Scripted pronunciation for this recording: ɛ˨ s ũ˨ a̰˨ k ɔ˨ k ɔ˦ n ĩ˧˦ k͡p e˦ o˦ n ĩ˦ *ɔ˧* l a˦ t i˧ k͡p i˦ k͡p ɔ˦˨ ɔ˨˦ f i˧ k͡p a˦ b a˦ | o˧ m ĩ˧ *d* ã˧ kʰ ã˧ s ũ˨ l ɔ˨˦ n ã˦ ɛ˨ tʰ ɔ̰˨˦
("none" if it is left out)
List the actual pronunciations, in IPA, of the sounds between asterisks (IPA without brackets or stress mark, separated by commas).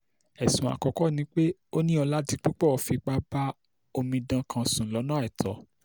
ɔ˧, d